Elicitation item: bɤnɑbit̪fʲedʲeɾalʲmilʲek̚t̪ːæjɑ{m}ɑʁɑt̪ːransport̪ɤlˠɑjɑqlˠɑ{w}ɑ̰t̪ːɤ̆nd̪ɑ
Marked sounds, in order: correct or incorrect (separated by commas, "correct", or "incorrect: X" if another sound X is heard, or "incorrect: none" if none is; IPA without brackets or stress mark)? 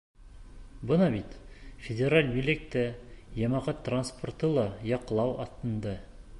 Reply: correct, correct